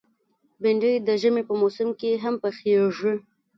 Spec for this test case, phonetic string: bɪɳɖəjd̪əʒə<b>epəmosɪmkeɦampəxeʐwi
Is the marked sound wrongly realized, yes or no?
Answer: yes